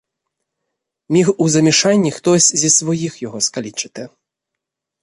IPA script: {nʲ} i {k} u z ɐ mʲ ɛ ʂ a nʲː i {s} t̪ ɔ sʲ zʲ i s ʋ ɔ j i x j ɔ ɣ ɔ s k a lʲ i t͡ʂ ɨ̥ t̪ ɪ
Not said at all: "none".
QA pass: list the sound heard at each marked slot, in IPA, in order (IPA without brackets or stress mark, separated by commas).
mʲ, x, x